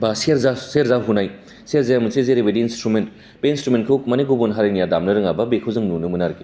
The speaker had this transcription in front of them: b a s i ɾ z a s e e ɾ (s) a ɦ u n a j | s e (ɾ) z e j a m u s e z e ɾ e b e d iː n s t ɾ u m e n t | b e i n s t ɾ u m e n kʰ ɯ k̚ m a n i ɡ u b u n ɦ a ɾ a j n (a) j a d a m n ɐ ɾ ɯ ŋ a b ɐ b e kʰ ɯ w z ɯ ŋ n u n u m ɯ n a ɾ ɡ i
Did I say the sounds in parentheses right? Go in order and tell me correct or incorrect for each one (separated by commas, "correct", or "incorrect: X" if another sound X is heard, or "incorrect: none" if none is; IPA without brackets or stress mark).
incorrect: z, correct, incorrect: i